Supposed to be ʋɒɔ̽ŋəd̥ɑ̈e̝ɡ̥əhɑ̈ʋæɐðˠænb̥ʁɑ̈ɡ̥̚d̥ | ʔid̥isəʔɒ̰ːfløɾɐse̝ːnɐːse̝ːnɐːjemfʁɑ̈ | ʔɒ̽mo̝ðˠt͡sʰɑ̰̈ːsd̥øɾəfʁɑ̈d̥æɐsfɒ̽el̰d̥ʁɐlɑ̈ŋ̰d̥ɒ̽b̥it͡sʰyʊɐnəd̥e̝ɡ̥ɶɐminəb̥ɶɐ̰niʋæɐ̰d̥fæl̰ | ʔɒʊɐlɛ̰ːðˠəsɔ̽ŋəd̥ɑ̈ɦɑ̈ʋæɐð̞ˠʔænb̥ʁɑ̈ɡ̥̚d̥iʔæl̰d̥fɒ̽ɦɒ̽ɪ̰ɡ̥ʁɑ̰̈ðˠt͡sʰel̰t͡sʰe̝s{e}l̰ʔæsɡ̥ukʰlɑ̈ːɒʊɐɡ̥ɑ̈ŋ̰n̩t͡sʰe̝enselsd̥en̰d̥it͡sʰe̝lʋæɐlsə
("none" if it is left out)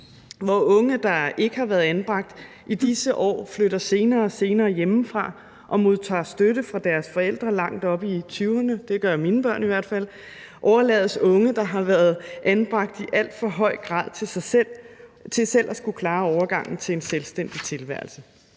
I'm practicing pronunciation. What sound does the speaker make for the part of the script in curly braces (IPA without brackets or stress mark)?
e